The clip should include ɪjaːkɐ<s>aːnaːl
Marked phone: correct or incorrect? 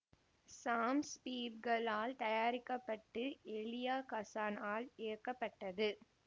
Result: correct